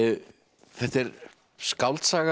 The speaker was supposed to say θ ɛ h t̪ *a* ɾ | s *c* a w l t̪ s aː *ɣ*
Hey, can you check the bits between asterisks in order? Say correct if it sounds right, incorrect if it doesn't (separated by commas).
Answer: incorrect, incorrect, correct